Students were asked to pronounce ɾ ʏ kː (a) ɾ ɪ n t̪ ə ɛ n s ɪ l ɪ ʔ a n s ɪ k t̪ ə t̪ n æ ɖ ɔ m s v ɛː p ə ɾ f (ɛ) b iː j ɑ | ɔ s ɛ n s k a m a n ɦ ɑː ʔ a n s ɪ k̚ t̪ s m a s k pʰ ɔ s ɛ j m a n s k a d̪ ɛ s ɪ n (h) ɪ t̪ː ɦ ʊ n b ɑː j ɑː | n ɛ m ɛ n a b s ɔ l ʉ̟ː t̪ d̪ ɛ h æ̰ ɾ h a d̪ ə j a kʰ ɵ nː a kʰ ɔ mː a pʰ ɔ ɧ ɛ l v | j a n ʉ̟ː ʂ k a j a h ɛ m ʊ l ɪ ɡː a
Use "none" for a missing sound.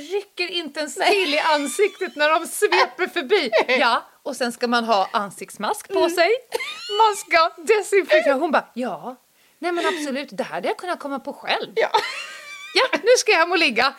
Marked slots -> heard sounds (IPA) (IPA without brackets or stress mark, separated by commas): ə, œ, f